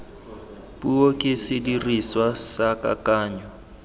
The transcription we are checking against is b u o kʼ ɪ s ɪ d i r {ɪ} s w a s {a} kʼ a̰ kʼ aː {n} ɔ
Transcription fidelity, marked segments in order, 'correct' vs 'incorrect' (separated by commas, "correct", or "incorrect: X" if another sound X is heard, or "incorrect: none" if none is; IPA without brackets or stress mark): incorrect: i, correct, incorrect: ɲ